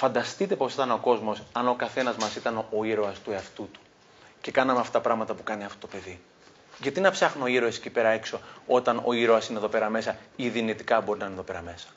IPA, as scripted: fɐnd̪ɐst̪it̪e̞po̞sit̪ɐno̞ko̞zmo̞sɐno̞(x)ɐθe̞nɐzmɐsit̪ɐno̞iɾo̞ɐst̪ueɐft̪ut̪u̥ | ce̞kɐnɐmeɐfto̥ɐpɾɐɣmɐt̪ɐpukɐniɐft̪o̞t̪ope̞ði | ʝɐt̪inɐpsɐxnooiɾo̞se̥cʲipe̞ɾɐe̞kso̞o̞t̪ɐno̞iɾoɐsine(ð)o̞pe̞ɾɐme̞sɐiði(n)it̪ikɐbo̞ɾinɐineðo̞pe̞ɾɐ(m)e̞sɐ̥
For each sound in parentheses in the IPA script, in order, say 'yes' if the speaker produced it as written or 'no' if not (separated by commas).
no, yes, yes, yes